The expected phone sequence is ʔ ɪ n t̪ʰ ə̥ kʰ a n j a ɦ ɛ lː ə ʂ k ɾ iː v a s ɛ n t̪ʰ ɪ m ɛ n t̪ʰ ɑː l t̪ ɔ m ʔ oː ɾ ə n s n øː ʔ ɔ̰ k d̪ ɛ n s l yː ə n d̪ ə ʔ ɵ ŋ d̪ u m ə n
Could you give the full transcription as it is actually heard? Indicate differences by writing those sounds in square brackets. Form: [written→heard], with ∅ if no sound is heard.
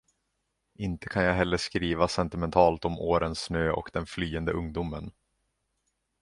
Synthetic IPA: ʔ ɪ n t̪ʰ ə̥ kʰ a n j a ɦ ɛ lː ə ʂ k ɾ iː v a s ɛ n [t̪ʰ→t̪] ɪ m ɛ n t̪ʰ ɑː l t̪ ɔ m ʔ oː ɾ ə n s n øː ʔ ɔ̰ k d̪ ɛ n [s→f] l yː ə n d̪ ə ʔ ɵ ŋ d̪ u m ə n